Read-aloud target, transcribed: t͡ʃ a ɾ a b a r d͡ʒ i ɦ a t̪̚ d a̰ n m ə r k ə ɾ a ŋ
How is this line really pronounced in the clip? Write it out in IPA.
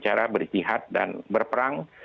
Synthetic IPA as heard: t͡ʃ a ɾ a b ə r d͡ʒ i ɦ a t̪̚ d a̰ n b ə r p ə ɾ a ŋ